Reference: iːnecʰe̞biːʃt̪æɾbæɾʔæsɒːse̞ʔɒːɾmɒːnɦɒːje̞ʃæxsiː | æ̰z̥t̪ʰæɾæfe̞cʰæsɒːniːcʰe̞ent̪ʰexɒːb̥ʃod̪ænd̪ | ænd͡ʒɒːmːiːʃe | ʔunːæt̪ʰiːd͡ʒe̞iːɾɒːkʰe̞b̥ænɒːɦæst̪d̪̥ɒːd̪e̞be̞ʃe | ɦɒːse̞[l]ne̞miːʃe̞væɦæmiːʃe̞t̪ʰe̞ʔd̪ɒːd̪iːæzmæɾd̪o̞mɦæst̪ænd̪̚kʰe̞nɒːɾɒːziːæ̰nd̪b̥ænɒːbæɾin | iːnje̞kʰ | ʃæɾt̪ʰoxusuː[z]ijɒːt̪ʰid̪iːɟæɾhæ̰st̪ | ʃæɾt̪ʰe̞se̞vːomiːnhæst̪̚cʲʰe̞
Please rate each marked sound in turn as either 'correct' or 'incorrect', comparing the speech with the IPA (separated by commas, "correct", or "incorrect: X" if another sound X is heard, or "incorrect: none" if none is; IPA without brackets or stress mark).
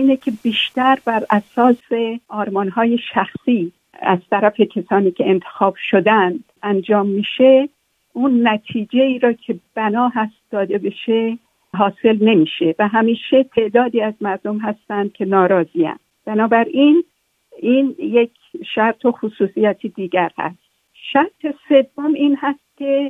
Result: correct, incorrect: s